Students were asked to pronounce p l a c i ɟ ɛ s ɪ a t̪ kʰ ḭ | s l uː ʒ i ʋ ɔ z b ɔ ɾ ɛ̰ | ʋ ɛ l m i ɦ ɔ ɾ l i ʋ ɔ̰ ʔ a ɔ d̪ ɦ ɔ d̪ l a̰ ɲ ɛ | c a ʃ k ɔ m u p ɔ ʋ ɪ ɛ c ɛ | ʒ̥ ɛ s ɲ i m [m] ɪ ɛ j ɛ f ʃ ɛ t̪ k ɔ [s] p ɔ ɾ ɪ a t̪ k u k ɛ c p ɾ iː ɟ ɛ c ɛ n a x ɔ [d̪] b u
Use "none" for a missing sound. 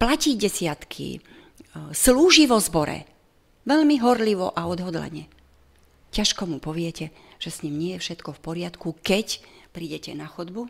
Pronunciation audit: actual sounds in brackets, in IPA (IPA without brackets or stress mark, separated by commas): ɲ, f, d̪